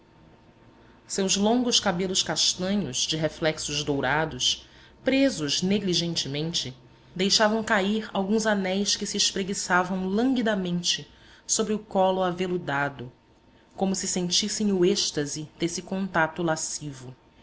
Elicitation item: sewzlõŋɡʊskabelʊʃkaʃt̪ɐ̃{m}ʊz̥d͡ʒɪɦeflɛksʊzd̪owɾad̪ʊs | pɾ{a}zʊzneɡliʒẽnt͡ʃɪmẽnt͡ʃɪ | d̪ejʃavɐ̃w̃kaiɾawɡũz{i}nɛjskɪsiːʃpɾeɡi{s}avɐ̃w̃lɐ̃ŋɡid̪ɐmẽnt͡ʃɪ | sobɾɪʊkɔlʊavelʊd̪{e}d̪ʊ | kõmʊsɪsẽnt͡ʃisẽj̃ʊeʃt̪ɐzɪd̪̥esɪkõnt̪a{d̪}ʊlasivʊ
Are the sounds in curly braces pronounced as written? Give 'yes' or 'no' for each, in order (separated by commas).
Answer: no, no, no, yes, no, no